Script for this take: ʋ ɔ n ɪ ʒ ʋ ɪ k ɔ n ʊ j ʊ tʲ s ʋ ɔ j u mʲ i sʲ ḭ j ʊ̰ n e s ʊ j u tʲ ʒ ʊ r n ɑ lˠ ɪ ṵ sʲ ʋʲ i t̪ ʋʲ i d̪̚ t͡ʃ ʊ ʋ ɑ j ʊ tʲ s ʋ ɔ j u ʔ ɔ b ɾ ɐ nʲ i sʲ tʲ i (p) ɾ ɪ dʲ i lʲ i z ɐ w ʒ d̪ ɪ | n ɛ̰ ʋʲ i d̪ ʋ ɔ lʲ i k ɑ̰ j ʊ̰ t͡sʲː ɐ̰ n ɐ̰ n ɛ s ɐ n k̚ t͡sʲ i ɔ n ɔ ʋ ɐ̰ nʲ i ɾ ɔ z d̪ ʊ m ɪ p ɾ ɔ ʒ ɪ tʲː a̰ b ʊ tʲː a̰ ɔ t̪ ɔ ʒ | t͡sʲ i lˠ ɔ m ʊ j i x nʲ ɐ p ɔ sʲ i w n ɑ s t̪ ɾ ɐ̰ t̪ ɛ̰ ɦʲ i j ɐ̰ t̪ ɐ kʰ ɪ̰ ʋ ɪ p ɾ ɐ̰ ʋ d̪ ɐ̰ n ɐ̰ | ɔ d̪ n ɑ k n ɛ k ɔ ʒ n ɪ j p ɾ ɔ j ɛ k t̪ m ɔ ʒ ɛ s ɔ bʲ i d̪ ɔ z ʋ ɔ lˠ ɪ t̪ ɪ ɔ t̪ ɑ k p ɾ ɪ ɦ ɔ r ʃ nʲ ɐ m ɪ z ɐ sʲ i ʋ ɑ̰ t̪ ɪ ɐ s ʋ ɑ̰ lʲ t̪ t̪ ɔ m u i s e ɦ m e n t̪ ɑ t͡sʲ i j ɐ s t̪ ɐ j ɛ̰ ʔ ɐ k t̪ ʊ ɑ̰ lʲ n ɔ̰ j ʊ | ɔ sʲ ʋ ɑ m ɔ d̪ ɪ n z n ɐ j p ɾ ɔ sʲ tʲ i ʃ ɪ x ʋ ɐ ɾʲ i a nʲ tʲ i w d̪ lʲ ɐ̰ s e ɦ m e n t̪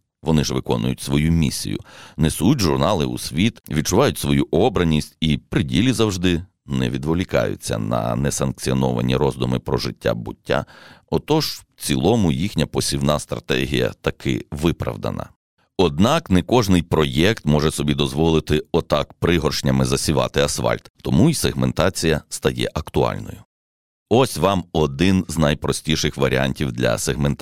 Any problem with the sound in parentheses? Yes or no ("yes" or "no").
no